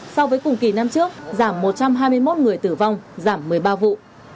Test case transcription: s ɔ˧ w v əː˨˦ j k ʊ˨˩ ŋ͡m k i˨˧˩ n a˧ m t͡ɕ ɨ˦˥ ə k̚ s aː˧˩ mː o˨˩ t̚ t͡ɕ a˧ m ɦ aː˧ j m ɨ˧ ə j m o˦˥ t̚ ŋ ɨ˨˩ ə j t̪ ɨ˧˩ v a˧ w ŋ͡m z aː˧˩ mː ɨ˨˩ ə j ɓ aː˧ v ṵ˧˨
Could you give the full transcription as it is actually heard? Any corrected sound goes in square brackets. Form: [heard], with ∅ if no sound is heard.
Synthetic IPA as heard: s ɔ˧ w v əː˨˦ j k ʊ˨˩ ŋ͡m k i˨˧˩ n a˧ m t͡ɕ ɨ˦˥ ə k̚ [z] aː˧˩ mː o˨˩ t̚ t͡ɕ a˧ m ɦ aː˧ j m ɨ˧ ə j m o˦˥ t̚ ŋ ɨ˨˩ ə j t̪ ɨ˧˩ v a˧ w ŋ͡m z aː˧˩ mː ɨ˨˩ ə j ɓ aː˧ v ṵ˧˨